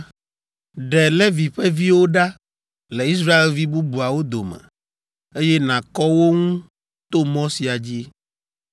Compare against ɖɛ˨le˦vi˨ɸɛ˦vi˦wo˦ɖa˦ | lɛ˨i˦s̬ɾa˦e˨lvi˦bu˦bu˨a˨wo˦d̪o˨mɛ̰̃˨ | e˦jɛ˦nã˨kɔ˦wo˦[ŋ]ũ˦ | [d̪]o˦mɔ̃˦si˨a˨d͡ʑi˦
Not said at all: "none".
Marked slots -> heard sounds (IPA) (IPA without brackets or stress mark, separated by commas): ŋ, t̪